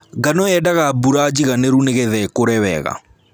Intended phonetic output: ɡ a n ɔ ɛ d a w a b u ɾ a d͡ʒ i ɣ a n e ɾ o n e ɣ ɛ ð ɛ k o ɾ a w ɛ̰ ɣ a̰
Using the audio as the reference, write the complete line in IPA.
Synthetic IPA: ɡ a n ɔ ɛ d a ɣ a b u ɾ a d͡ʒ i ɣ a n e ɾ u n e ɣ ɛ ð ɛ k o ɾ ɛ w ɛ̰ ɣ a̰